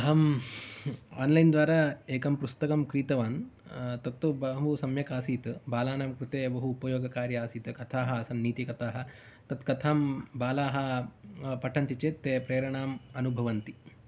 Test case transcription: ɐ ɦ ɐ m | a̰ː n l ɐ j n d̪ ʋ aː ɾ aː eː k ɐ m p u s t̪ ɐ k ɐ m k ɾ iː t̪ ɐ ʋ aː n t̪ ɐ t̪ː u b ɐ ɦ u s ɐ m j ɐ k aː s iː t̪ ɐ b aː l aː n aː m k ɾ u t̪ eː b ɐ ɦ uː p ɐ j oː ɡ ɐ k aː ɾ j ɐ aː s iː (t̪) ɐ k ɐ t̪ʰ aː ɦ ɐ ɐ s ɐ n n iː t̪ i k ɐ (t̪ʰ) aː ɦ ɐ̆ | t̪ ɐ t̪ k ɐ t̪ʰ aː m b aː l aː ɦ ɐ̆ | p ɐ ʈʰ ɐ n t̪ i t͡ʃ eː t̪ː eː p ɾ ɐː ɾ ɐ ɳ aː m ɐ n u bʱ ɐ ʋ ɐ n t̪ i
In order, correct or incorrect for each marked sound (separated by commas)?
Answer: correct, incorrect